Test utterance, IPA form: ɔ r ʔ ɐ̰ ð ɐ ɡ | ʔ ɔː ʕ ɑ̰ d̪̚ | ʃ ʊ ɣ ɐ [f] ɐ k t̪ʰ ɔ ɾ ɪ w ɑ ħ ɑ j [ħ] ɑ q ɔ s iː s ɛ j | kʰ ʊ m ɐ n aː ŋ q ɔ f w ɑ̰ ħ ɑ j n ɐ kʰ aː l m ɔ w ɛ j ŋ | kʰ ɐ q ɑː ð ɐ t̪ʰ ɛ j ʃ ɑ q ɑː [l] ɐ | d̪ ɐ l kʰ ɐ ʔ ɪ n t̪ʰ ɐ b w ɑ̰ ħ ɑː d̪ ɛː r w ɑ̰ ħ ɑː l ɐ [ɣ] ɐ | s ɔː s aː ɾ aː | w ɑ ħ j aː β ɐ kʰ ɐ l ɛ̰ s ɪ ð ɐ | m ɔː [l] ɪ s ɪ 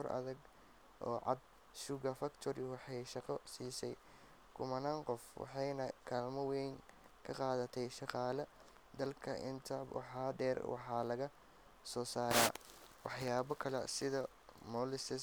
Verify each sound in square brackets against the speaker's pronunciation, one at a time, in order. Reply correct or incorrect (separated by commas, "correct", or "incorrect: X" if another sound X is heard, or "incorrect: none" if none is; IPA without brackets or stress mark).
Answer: correct, incorrect: ʃ, correct, correct, correct